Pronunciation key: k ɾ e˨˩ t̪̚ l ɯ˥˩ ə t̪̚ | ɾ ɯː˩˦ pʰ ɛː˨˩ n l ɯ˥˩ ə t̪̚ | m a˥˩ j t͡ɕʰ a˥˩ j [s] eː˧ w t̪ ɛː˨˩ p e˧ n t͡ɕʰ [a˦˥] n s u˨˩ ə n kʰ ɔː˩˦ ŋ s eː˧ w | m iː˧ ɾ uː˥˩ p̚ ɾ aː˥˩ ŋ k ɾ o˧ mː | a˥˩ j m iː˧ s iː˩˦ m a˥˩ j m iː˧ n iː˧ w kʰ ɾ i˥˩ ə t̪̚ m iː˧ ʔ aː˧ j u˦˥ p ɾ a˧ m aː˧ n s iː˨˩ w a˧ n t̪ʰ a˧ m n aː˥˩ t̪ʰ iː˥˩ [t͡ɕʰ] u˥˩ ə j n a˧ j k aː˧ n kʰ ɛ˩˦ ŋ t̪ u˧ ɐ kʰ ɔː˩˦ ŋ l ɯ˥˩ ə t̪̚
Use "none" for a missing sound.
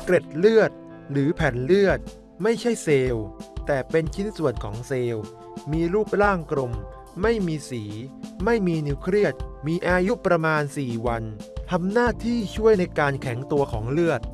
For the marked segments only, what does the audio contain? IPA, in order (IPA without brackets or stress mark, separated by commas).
s, i˦˥, t͡ɕʰ